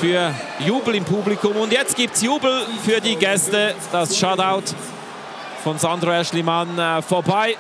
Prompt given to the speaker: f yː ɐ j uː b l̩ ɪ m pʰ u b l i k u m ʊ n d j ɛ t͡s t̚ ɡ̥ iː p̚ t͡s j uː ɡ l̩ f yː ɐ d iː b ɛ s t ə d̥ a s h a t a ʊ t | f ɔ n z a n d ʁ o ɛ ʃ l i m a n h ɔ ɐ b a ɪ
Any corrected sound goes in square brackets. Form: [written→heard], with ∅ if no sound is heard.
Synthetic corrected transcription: f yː ɐ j uː b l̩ ɪ m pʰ u b l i k [u→ʊ] m ʊ n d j ɛ t͡s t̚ ɡ̥ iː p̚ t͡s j uː [ɡ→b] l̩ f yː ɐ d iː [b→ɡ] ɛ s t ə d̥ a s [h→ʃ] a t a ʊ t | f ɔ n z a n d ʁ o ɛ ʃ l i m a n [h→f] ɔ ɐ b a ɪ